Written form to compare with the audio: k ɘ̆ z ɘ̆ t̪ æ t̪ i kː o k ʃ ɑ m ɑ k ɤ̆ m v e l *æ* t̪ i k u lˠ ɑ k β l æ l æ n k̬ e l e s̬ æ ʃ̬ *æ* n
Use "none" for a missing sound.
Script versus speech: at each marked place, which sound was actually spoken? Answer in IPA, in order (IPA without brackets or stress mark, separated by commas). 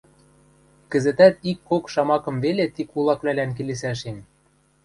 e, e